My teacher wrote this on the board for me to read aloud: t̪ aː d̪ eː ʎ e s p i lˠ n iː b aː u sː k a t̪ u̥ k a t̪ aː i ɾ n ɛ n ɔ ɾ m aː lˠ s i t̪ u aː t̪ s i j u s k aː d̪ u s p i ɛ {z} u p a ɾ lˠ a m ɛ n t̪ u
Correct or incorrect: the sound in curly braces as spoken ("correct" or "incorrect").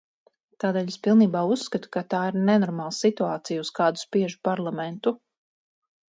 incorrect